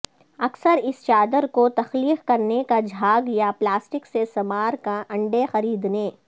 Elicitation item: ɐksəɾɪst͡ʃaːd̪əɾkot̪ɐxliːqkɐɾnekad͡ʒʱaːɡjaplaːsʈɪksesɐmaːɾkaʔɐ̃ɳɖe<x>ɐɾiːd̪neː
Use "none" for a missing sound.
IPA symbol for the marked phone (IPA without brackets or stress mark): x